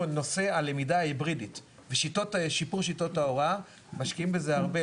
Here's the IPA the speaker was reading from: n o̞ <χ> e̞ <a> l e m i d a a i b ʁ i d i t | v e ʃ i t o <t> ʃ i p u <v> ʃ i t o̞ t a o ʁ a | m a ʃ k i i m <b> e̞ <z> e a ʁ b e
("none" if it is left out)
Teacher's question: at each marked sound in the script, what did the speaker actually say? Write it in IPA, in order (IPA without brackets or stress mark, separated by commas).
s, a, t, ʁ, b, z